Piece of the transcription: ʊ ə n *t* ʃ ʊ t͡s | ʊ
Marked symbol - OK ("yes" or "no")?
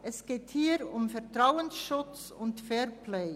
no